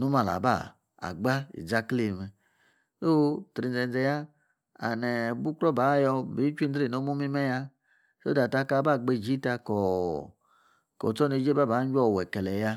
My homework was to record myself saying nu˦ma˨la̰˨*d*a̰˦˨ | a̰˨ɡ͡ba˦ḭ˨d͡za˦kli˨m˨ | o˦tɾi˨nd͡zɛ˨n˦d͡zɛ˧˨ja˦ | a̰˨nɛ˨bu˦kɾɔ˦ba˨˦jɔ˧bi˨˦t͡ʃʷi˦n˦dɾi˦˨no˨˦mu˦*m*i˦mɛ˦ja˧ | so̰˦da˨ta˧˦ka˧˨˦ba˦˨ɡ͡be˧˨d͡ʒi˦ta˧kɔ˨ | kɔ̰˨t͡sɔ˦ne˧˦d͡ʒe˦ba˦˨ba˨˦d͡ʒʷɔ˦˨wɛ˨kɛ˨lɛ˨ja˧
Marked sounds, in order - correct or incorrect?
incorrect: b, correct

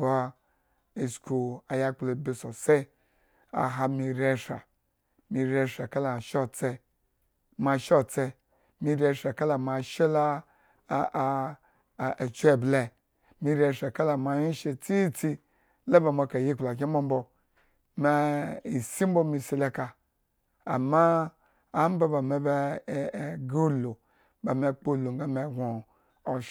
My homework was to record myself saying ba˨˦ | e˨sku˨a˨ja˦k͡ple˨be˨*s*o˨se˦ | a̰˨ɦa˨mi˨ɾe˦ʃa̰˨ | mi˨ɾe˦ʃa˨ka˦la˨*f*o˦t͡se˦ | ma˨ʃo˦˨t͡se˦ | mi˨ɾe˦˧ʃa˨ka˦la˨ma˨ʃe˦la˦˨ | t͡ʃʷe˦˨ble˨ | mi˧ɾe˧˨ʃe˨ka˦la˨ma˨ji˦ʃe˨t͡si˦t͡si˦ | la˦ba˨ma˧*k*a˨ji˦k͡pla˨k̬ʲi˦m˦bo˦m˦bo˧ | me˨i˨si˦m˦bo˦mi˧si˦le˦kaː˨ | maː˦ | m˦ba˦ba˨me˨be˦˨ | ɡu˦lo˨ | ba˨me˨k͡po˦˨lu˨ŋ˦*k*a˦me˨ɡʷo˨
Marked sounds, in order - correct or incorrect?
correct, incorrect: ʃ, correct, incorrect: ɡ

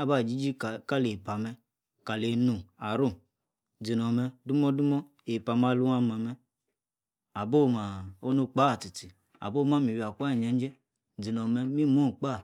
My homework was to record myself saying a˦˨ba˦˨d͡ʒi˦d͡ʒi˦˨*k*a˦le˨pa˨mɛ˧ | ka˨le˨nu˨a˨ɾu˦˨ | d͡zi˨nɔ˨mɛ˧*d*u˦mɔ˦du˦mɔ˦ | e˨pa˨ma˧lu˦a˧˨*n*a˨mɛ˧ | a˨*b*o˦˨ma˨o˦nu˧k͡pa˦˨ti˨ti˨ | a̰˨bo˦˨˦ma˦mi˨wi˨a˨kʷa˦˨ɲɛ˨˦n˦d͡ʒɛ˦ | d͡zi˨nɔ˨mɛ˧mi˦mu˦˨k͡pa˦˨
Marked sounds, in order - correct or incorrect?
correct, correct, incorrect: m, correct

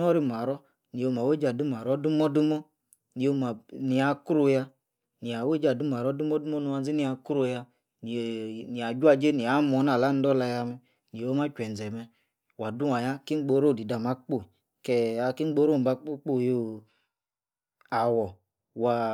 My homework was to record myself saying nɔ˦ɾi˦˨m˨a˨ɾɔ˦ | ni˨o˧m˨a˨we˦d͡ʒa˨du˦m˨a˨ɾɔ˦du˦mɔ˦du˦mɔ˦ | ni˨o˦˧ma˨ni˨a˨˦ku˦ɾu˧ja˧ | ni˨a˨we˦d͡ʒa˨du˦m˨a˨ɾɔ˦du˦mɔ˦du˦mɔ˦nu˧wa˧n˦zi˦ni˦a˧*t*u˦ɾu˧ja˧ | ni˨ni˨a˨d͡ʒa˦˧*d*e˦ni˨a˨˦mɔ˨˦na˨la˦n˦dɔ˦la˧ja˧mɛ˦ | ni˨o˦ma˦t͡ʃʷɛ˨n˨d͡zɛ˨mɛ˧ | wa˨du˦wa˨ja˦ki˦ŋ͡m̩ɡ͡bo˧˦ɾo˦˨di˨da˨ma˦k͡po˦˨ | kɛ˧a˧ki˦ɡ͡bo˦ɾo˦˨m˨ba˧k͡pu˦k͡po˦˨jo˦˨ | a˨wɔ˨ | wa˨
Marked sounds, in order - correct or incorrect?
incorrect: k, incorrect: d͡ʒ

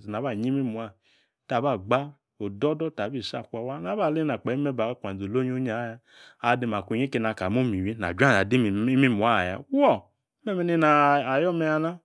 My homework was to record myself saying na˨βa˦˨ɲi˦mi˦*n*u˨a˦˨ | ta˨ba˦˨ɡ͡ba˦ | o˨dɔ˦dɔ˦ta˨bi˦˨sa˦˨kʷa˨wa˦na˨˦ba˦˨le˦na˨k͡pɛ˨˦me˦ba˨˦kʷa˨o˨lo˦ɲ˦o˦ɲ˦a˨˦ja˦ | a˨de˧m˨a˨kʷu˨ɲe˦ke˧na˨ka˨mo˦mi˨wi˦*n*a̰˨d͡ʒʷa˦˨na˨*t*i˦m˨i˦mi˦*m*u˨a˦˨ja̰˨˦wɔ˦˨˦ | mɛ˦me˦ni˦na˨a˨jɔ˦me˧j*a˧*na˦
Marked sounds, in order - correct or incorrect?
incorrect: m, correct, incorrect: d, correct, correct

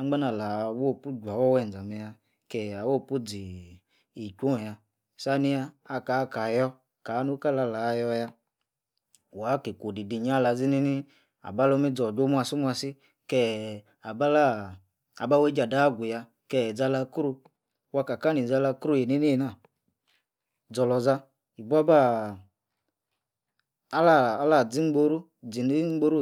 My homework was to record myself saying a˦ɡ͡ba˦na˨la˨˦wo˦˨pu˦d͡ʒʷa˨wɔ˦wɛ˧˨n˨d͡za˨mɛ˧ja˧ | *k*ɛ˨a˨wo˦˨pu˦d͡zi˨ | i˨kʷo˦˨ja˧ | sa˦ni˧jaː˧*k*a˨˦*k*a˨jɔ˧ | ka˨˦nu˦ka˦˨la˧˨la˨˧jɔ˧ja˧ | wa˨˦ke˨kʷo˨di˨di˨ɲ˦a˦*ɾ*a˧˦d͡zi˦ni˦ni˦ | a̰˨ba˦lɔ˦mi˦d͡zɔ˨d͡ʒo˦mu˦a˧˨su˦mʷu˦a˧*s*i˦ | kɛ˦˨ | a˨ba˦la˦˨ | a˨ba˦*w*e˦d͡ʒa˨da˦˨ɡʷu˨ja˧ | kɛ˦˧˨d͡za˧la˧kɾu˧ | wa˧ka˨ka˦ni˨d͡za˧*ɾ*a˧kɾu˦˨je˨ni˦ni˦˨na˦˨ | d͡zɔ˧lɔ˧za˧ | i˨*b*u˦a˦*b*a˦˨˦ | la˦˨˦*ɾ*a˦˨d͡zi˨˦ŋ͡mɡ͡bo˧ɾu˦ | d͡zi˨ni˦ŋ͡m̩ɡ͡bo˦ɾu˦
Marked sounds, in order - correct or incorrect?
correct, correct, correct, incorrect: l, correct, correct, incorrect: l, correct, correct, incorrect: l

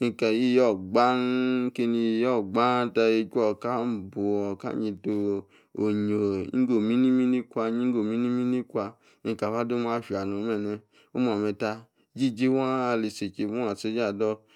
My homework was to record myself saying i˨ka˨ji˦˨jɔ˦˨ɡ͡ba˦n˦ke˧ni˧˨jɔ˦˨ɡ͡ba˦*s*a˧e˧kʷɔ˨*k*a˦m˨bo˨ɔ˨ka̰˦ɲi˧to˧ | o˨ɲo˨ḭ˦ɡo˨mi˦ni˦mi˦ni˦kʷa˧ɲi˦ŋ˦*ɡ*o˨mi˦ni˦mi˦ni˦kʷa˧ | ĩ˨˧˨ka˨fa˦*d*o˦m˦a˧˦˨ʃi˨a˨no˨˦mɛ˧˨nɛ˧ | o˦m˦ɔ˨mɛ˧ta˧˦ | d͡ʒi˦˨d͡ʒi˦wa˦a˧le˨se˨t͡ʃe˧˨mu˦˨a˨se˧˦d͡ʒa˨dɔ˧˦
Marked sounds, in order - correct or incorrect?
incorrect: t, correct, correct, correct

